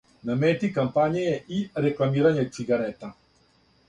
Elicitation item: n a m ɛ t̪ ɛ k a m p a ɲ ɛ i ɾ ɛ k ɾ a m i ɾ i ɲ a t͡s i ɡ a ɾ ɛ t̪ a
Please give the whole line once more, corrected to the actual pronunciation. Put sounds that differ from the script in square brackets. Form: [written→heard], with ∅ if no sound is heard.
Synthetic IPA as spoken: n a m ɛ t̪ [ɛ→i] k a m p a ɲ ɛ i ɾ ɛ k [ɾ→l] a m i ɾ [i→a] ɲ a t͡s i ɡ a ɾ ɛ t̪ a